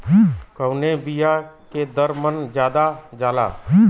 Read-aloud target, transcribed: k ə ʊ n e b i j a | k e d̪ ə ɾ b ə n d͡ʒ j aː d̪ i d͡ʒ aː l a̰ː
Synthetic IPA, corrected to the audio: k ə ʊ n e b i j a | k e d̪ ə ɾ m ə n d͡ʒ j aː d̪ a d͡ʒ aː l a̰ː